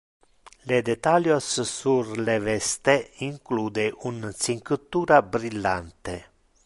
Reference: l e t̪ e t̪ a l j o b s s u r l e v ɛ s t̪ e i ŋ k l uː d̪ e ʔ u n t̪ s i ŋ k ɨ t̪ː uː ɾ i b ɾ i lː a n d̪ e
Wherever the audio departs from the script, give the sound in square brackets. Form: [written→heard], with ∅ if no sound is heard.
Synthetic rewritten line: l e [t̪→d̪] e t̪ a l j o [b→∅] s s u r l e v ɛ s t̪ e i ŋ k l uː d̪ e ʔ u n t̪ s i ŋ k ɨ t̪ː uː ɾ [i→a] b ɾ i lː a n [d̪→t̪] e